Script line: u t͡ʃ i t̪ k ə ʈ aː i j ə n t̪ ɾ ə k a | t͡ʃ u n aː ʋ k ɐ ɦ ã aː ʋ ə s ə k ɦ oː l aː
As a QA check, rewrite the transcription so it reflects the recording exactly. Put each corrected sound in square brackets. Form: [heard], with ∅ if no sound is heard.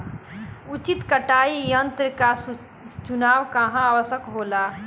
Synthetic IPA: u t͡ʃ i t̪ k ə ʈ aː i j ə n t̪ ɾ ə k a | t͡ʃ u n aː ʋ k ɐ ɦ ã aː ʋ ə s ə k ɦ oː l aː